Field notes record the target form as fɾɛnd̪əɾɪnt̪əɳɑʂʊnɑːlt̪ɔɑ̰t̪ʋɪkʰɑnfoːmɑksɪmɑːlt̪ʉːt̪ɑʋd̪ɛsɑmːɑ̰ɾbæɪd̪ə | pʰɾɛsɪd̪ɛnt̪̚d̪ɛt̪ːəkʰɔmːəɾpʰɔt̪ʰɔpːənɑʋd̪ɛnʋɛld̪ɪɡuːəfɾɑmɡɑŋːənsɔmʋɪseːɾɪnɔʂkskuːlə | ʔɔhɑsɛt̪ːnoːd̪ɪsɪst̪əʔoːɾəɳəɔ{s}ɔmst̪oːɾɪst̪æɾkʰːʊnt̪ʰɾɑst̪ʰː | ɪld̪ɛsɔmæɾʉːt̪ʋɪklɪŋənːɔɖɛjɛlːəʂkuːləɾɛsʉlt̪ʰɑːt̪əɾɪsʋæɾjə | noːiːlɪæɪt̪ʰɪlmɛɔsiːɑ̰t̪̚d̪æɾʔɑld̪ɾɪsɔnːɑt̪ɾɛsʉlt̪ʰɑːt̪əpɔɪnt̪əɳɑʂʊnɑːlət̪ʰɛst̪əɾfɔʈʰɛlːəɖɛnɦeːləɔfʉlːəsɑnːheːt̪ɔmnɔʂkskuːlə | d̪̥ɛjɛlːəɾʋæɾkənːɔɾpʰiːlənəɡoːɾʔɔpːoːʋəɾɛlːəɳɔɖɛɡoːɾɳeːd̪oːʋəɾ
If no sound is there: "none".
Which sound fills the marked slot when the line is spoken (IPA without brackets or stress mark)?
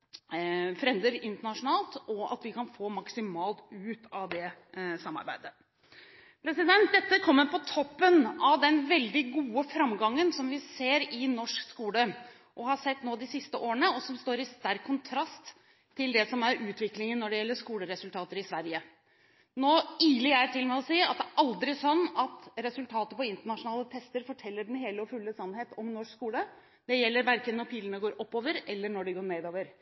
s